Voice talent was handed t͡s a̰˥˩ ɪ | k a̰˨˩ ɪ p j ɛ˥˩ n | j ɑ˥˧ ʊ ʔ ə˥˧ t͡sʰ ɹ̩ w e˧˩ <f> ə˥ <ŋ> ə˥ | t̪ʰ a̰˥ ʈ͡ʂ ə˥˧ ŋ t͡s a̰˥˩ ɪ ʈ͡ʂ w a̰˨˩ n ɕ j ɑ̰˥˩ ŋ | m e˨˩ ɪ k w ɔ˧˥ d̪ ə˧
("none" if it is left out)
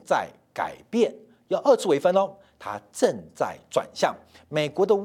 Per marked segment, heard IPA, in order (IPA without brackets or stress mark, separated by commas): f, n